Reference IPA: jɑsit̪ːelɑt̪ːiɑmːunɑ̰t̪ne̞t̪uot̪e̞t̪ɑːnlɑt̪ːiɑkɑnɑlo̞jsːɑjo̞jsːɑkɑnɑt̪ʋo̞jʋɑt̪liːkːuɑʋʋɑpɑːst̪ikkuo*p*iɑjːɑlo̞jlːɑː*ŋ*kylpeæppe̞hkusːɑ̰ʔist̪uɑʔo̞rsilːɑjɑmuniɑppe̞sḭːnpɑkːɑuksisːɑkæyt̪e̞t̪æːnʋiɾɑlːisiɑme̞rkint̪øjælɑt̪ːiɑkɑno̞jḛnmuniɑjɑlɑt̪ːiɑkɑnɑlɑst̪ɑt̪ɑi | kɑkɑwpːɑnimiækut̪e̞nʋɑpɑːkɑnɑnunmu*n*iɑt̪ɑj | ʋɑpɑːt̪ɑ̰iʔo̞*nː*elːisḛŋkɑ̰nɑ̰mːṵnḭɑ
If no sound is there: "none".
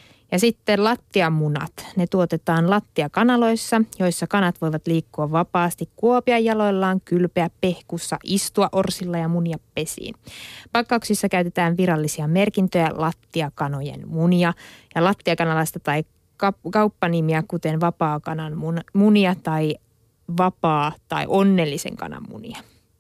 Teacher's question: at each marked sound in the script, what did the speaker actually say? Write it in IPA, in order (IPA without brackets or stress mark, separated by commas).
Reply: p, ŋ, n, nː